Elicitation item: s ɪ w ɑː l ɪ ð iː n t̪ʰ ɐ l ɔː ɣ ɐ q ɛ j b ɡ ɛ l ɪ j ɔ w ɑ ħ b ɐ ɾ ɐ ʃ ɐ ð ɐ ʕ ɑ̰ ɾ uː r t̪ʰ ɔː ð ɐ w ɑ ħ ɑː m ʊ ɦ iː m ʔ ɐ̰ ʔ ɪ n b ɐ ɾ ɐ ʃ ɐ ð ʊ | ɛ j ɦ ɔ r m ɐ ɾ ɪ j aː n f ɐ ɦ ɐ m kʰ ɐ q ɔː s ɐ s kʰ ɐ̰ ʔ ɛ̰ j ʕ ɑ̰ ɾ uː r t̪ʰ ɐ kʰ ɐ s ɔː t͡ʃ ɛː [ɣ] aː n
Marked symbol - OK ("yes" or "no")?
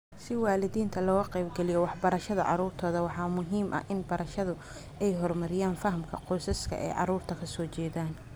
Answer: no